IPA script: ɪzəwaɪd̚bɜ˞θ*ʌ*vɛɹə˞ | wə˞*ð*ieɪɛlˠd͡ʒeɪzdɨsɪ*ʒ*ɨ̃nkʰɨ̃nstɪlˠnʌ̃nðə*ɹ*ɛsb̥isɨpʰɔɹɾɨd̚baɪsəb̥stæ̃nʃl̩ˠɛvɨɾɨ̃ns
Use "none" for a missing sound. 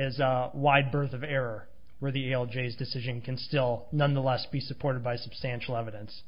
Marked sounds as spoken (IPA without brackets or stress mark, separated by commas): ʌ, ð, ʒ, l